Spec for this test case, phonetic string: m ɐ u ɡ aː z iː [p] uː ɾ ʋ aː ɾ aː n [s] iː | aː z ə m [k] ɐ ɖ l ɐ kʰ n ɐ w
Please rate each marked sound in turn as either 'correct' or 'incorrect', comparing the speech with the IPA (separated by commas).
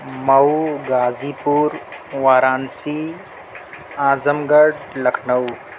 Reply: correct, correct, incorrect